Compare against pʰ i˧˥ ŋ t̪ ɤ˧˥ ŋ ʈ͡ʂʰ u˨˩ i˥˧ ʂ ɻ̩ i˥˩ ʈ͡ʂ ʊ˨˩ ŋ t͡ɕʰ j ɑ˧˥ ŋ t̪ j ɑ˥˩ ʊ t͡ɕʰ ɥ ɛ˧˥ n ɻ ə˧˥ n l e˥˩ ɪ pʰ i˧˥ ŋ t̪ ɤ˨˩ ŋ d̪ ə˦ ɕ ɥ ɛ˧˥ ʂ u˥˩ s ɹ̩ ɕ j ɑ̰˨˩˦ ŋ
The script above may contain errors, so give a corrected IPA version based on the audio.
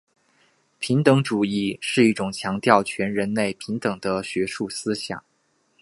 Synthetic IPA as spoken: pʰ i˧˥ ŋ t̪ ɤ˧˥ ŋ ʈ͡ʂ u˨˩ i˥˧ ʂ ɻ̩ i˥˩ ʈ͡ʂ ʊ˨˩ ŋ t͡ɕʰ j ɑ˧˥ ŋ t̪ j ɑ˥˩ ʊ t͡ɕʰ ɥ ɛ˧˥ n ɻ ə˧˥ n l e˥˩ ɪ pʰ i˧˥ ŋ t̪ ɤ˨˩ ŋ d̪ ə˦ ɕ ɥ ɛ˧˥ ʂ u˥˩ s ɹ̩ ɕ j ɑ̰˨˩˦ ŋ